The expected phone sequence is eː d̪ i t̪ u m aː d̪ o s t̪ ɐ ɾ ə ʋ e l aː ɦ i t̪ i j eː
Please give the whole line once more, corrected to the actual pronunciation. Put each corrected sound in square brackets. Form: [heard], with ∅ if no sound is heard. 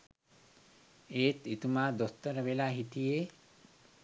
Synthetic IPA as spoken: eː [t̪] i t̪ u m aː d̪ o s t̪ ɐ ɾ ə ʋ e l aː ɦ i t̪ i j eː